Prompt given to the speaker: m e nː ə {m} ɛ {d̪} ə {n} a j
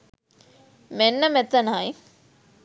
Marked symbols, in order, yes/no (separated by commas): yes, no, yes